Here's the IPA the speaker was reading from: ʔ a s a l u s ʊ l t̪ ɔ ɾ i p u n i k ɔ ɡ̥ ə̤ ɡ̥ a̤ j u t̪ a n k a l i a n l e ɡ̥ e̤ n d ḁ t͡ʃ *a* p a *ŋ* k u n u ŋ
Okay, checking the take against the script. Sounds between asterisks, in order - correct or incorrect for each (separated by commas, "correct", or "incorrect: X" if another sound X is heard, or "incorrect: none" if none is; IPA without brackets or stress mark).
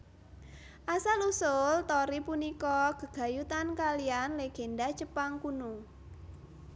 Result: incorrect: ə, correct